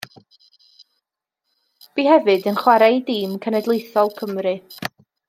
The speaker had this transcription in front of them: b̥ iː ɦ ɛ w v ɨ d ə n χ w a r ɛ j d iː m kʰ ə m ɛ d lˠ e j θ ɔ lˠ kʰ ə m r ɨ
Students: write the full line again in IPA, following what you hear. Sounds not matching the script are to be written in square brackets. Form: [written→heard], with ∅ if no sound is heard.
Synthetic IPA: b̥ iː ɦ ɛ [w→∅] v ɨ d ə n χ w a [r→ɾ] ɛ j d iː m kʰ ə [m→n] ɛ d lˠ e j θ ɔ lˠ kʰ ə m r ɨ